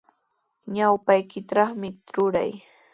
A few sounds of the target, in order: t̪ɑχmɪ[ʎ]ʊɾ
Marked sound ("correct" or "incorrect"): incorrect